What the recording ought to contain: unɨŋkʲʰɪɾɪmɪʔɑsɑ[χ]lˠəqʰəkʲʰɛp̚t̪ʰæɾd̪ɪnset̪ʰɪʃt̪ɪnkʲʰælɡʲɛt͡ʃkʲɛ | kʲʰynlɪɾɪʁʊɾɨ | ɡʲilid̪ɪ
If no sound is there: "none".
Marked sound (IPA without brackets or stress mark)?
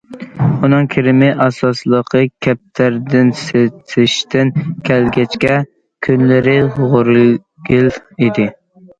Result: s